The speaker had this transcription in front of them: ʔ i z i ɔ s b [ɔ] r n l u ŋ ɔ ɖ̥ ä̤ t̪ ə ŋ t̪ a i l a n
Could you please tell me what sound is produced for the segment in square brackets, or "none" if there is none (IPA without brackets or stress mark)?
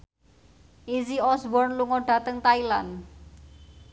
ɔ